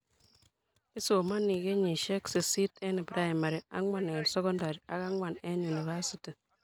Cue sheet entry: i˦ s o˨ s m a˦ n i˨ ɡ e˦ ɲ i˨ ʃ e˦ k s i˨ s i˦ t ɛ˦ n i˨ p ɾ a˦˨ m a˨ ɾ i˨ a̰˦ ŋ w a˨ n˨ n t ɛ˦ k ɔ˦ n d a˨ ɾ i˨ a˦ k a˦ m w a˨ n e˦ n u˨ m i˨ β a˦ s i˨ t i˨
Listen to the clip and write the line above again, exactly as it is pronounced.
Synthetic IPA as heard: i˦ s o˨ m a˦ n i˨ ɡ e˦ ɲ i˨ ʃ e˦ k s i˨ s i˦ t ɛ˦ n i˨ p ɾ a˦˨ m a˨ ɾ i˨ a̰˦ ŋ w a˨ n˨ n s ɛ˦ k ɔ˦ n d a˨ ɾ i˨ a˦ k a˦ ŋ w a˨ n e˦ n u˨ n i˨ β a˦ s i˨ t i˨